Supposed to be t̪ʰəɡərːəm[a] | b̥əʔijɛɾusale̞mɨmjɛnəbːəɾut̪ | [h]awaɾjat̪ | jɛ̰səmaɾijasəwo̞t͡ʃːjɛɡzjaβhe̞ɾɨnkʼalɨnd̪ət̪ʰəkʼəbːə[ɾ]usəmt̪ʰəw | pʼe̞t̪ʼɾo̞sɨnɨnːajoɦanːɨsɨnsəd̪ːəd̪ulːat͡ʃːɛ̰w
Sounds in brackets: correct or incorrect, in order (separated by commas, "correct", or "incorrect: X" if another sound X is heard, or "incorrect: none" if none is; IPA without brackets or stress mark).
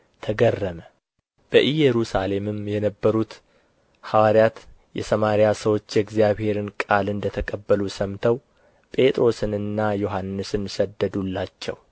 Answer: incorrect: ə, correct, incorrect: l